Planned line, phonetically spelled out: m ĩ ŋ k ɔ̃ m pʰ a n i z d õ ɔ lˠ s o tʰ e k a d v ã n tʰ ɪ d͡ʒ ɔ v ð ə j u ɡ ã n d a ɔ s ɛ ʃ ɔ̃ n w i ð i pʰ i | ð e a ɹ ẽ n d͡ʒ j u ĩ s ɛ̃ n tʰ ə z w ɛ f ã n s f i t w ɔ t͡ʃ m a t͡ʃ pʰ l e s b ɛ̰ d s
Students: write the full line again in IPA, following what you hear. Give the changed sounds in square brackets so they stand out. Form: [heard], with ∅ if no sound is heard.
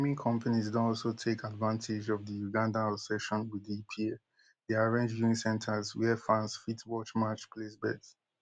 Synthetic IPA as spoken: m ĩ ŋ [kʰ] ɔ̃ m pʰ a n i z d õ ɔ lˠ s o tʰ e k a d v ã n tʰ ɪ d͡ʒ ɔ v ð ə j u ɡ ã n d a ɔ s ɛ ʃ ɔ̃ n w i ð i pʰ i | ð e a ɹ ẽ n d͡ʒ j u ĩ s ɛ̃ n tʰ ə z w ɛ f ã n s f i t w ɔ t͡ʃ m a t͡ʃ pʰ l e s b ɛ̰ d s